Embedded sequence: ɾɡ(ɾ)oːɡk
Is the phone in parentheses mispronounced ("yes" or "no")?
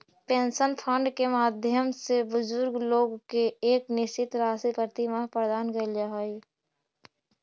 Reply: yes